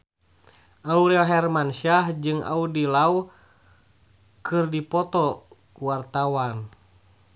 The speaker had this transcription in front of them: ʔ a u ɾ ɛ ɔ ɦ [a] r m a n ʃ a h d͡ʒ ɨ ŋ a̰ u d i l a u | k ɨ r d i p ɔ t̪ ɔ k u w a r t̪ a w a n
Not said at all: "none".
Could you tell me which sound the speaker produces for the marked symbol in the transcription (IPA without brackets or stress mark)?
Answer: ɛ